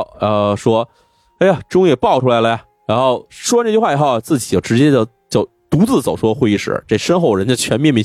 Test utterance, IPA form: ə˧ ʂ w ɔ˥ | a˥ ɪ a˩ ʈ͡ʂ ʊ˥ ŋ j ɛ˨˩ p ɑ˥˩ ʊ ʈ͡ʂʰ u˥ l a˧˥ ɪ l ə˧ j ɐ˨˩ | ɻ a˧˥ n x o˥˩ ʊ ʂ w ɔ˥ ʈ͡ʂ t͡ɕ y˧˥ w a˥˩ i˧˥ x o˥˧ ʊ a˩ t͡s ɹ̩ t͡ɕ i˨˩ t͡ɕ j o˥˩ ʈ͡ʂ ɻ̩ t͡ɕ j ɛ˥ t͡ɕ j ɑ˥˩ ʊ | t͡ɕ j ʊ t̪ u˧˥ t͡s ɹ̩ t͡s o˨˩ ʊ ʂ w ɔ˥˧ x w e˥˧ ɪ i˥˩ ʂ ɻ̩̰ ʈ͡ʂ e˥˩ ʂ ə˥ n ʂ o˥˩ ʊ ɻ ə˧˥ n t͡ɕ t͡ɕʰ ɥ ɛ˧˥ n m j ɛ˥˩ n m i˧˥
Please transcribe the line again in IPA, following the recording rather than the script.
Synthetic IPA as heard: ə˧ ʂ w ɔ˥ | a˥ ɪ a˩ ʈ͡ʂ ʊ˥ ŋ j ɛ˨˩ p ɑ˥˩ ʊ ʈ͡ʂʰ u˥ l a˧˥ ɪ l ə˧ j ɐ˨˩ | ɻ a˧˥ n x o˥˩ ʊ ʂ w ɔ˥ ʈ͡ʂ t͡ɕ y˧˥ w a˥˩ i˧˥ x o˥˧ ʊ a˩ t͡s ɹ̩ t͡ɕ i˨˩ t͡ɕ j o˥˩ ʈ͡ʂ ɻ̩ t͡ɕ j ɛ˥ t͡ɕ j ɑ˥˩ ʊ | t͡ɕ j ʊ t̪ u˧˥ t͡s ɹ̩ t͡s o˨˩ ʊ ʂ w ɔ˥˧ x w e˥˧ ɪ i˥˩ ʂ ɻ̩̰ ʈ͡ʂ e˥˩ ʂ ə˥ n x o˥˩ ʊ ɻ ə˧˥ n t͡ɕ t͡ɕʰ ɥ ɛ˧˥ n m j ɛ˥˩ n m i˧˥